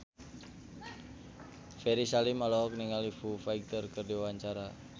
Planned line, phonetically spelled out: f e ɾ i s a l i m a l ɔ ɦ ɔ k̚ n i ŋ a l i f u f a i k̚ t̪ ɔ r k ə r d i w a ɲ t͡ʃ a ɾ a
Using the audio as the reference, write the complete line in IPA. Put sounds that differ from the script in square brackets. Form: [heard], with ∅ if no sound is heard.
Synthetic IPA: f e ɾ i s a l i m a l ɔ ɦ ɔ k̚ n i ŋ a l i f u f a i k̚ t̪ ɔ r k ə r d i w a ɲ t͡ʃ a ɾ a